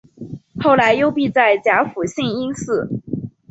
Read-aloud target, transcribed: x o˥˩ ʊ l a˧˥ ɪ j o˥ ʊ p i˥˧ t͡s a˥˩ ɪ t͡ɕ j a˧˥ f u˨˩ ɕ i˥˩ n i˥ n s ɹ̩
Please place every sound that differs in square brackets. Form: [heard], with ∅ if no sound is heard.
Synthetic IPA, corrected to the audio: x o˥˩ ʊ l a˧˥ ɪ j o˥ ʊ p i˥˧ t͡s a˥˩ ɪ t͡ɕ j a˧˥ f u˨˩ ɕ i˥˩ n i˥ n s ɹ̩